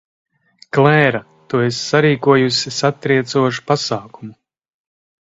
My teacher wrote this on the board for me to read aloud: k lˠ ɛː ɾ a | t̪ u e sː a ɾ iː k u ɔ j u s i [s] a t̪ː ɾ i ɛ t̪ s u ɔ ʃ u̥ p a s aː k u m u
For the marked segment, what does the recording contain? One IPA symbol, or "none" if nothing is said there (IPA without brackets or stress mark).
s